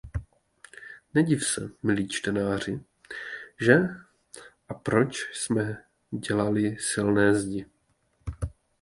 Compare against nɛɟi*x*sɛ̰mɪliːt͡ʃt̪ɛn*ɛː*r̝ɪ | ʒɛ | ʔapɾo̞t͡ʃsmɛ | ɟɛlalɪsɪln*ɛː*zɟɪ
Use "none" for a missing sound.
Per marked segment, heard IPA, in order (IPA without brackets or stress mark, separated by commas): f, aː, ɛː